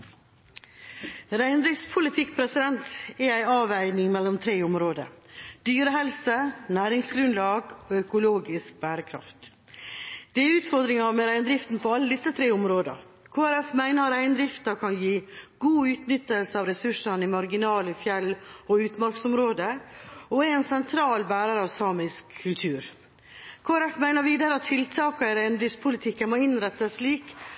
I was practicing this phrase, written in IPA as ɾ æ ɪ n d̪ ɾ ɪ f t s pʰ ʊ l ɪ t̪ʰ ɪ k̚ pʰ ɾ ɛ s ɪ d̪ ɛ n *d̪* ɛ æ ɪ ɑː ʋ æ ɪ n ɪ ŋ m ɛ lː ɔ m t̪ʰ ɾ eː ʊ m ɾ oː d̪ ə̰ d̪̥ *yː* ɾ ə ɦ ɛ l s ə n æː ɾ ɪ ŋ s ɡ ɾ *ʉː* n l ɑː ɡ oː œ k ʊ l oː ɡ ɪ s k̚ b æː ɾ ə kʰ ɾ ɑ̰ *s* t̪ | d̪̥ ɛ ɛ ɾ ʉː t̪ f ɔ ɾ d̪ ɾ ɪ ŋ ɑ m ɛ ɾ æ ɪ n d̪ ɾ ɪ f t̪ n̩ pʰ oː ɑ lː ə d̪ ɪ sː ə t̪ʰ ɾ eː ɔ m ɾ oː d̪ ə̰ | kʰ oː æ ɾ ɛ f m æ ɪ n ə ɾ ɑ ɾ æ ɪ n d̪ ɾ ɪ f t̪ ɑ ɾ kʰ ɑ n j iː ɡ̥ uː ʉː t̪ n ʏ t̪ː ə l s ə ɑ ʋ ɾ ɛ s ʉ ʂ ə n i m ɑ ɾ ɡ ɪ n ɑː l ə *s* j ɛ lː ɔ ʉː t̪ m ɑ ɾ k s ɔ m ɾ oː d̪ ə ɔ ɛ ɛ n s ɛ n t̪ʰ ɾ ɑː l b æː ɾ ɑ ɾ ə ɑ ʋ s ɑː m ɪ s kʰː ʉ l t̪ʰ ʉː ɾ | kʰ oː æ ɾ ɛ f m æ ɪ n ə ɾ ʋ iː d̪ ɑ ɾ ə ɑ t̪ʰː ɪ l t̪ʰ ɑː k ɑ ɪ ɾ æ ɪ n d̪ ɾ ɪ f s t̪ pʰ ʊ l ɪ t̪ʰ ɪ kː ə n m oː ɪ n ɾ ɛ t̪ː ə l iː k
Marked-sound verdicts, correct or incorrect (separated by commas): incorrect, correct, incorrect, incorrect, incorrect